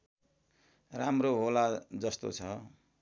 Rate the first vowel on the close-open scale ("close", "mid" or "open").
open